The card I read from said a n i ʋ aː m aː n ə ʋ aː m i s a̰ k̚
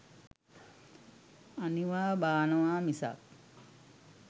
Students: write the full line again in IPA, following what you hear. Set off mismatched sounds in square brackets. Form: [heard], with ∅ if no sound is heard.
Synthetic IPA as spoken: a n i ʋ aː [b] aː n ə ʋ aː m i s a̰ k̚